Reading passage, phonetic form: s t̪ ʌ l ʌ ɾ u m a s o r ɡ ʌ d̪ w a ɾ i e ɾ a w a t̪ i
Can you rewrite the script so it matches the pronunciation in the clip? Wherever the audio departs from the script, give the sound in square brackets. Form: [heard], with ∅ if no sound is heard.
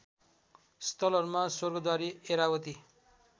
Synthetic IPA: s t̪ ʌ l ʌ ɾ u m a s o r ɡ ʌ d̪ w a ɾ i e ɾ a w [ʌ] t̪ i